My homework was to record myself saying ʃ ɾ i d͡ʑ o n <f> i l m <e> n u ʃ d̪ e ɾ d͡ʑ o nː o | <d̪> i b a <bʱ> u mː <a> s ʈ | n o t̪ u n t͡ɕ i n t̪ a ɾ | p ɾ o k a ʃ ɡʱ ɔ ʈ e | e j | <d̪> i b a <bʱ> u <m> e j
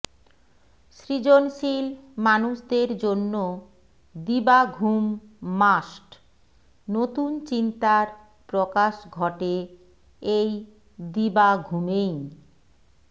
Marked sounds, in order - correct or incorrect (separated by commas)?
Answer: incorrect, incorrect, correct, incorrect, correct, correct, incorrect, correct